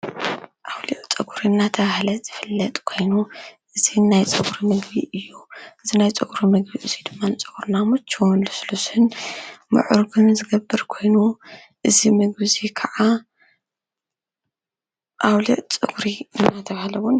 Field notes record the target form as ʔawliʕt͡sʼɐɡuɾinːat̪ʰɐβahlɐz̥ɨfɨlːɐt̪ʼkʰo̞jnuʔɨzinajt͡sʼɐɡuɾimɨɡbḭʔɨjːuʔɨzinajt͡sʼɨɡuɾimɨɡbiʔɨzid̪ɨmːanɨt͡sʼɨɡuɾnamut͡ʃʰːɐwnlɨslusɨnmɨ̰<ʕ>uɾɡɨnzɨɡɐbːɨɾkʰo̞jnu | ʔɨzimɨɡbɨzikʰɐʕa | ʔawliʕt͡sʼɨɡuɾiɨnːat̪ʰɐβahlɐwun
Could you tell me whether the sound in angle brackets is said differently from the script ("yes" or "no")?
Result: no